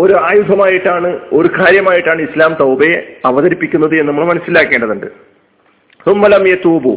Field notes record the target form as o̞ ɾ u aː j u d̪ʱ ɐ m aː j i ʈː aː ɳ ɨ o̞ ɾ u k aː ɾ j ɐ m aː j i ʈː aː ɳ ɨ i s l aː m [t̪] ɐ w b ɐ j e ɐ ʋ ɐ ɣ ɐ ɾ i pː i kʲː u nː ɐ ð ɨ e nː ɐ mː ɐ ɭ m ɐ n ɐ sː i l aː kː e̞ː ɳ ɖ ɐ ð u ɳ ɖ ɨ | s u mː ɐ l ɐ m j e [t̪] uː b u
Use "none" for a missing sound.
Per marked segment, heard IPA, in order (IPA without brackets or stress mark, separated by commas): t̪, t̪